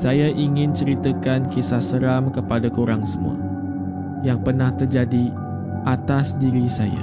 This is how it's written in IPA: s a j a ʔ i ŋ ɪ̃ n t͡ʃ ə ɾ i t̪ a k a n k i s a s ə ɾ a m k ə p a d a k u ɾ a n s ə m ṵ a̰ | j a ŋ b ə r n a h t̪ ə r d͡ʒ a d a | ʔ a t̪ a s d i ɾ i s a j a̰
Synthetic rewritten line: s a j a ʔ i ŋ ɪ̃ n t͡ʃ ə ɾ i t̪ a k a n k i s a s ə ɾ a m k ə p a d a k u ɾ a ŋ s ə m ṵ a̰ | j a ŋ p ə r n a h t̪ ə r d͡ʒ a d i | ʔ a t̪ a s d i ɾ i s a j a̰